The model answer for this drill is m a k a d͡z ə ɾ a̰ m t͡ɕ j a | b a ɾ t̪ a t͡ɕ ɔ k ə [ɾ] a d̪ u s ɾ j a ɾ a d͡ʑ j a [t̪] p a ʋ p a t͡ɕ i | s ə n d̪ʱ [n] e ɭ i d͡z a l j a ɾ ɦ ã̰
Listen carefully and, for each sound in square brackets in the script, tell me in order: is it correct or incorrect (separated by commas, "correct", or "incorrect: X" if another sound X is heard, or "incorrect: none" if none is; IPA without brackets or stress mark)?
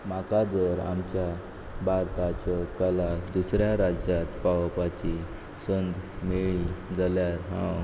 incorrect: l, correct, incorrect: m